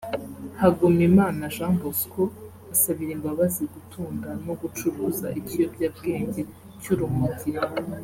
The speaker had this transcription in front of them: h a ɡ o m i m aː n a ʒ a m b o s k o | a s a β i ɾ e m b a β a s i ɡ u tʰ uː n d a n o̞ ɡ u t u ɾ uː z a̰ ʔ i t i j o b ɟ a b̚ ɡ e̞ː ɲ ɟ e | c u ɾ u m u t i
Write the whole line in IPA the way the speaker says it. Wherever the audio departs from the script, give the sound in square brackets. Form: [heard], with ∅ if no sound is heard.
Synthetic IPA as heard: h a ɡ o m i m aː n a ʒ a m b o s k o | a s a β i ɾ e m b a β a [z] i ɡ u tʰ uː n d a n o̞ ɡ u [t͡ʃ] u ɾ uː z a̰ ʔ i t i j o b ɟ a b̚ ɡ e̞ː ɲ ɟ e | c u ɾ u m u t i